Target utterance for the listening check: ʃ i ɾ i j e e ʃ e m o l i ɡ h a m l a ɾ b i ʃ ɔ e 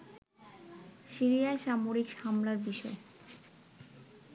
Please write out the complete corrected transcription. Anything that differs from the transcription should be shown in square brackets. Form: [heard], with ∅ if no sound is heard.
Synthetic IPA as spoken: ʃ i ɾ i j [a] e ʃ [a] m o [ɾ] i [k] h a m l a ɾ b i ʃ ɔ e